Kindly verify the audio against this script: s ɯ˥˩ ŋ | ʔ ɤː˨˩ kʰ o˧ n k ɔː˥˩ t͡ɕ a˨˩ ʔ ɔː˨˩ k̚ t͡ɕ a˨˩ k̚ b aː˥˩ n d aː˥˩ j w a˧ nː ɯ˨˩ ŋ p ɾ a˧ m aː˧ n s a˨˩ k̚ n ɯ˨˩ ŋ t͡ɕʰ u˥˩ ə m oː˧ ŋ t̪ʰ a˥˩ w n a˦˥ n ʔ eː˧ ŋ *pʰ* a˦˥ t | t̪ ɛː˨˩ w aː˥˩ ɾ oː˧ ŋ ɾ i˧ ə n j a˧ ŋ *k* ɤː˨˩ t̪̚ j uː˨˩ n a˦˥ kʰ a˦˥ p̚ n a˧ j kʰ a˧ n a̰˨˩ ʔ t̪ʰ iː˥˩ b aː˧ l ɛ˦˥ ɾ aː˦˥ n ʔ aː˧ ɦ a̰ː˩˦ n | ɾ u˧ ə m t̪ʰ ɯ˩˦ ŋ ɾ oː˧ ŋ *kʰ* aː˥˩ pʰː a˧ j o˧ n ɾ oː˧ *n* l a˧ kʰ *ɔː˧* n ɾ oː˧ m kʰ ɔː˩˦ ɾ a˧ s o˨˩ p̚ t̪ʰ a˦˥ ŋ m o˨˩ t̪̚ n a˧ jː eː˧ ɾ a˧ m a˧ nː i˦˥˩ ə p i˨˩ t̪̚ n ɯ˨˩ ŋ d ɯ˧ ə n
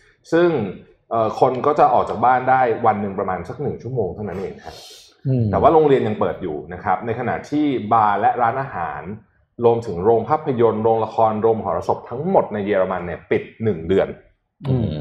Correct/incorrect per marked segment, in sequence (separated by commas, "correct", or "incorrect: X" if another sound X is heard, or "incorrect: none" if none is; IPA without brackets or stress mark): incorrect: kʰ, incorrect: p, incorrect: pʰ, incorrect: ŋ, correct